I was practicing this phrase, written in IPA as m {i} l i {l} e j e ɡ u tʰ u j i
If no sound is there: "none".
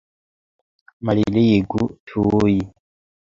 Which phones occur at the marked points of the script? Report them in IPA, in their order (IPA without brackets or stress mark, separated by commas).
a, l